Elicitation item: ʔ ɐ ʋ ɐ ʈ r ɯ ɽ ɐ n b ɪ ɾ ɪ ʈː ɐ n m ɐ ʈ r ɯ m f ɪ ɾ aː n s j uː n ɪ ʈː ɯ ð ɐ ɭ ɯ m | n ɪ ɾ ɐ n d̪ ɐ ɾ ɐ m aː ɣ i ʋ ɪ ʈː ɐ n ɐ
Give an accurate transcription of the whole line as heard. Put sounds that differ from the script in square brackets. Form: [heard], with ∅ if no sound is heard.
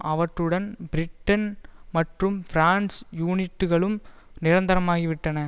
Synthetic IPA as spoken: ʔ ɐ ʋ ɐ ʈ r ɯ ɽ ɐ n b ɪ ɾ ɪ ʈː ɐ n m ɐ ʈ r ɯ m f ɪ ɾ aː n s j uː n ɪ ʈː ɯ [ɣ] ɐ ɭ ɯ m | n ɪ ɾ ɐ n d̪ ɐ ɾ ɐ m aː ɣ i ʋ ɪ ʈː ɐ n ɐ